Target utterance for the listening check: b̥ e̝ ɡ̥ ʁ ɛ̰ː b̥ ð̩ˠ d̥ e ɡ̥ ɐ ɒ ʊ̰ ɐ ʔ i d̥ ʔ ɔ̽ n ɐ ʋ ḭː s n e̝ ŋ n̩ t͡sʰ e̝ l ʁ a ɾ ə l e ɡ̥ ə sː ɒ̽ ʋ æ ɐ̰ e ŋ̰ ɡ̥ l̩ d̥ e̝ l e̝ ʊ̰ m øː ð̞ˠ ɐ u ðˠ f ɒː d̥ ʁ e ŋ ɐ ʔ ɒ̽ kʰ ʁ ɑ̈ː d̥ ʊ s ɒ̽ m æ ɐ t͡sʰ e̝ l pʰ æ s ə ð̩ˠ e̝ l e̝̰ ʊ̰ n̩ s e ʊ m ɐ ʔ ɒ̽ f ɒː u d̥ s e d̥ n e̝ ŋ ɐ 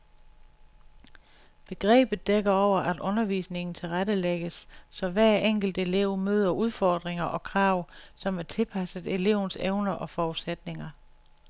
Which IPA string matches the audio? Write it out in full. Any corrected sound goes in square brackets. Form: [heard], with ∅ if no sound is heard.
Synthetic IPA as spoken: b̥ e̝ ɡ̥ ʁ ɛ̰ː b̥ ð̩ˠ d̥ e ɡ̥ ɐ ɒ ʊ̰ ɐ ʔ [æ] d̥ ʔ ɔ̽ n ɐ ʋ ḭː s n e̝ ŋ n̩ t͡sʰ e̝ l ʁ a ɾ ə l e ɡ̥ ə sː ɒ̽ ʋ æ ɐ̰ e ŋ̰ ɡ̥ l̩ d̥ e̝ l e̝ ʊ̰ m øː ð̞ˠ ɐ u ðˠ f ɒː d̥ ʁ e ŋ ɐ ʔ ɒ̽ kʰ ʁ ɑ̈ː [∅] ʊ s ɒ̽ m æ ɐ t͡sʰ e̝ l pʰ æ s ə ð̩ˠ e̝ l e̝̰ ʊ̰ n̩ s e ʊ [n] ɐ ʔ ɒ̽ f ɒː u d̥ s e d̥ n e̝ ŋ ɐ